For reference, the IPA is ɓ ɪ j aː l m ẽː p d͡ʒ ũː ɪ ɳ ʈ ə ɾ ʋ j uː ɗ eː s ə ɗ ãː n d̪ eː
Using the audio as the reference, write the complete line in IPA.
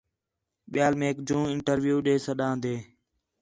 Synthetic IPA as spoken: ɓ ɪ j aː l m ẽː k d͡ʒ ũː ɪ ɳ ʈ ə ɾ ʋ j uː ɗ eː s ə ɗ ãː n d̪ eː